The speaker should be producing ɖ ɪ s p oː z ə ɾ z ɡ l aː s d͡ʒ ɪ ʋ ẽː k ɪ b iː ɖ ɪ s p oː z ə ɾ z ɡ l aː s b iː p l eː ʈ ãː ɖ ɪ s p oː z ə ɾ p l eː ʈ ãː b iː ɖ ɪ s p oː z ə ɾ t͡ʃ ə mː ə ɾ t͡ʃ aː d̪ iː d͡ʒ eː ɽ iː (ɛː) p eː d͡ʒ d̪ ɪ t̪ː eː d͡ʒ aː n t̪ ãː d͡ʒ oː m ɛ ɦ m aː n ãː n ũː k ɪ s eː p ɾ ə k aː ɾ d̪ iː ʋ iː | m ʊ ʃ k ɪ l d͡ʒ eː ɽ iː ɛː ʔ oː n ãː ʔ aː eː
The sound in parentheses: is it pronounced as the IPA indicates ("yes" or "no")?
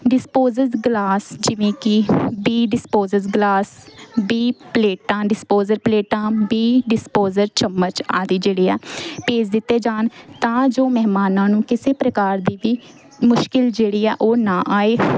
yes